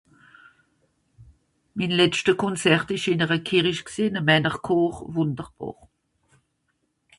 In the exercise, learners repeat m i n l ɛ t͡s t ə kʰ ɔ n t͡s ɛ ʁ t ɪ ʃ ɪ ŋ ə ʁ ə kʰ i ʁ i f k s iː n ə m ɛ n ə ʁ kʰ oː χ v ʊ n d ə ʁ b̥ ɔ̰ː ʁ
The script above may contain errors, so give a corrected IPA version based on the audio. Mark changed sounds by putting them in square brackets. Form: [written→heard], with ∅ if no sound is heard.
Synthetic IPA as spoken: m i n l ɛ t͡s t ə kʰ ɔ n t͡s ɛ ʁ t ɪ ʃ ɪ [ŋ→n] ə ʁ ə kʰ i ʁ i [f→ʃ] k s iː n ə m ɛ n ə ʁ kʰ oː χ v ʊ n d ə ʁ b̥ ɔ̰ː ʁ